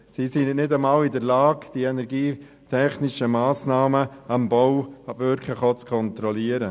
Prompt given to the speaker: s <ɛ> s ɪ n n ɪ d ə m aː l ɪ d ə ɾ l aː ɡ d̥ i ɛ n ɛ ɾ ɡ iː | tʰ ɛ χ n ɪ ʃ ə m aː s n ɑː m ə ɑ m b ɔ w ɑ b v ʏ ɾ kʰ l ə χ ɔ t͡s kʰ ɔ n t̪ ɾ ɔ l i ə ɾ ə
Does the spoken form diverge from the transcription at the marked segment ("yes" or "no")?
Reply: yes